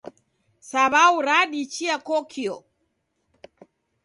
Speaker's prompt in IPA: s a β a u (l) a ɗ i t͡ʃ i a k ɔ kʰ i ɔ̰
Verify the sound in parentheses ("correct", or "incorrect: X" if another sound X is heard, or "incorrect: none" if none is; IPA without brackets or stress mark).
incorrect: ɾ